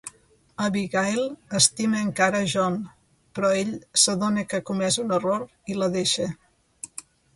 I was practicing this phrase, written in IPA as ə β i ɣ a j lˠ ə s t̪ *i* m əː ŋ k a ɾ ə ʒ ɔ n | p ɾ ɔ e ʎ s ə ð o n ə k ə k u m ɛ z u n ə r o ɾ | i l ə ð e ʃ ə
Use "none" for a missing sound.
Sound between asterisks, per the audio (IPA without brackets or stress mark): i